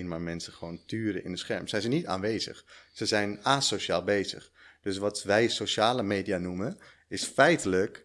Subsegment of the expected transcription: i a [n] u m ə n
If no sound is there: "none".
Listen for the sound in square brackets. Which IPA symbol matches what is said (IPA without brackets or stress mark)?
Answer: n